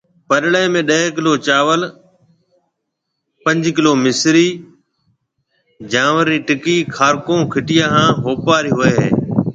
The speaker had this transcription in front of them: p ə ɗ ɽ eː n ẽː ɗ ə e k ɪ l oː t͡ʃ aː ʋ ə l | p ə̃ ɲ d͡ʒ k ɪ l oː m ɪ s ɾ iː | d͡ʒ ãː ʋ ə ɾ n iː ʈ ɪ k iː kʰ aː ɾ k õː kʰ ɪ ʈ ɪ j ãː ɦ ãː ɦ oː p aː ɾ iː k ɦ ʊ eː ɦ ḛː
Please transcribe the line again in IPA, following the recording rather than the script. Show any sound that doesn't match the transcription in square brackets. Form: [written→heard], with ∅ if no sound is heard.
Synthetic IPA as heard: p ə ɗ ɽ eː [n→m] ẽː ɗ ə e k ɪ l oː t͡ʃ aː ʋ ə l | p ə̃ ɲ d͡ʒ k ɪ l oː m ɪ s ɾ iː | d͡ʒ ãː ʋ ə ɾ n iː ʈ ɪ k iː kʰ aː ɾ k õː kʰ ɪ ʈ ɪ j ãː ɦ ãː ɦ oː p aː ɾ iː [k→∅] ɦ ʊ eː ɦ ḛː